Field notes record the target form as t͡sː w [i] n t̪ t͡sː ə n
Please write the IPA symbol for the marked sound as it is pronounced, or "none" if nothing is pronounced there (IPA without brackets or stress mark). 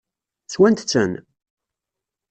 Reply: æ